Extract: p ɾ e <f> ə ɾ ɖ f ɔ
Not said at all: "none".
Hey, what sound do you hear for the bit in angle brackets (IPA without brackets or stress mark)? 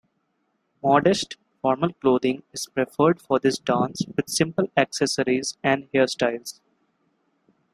f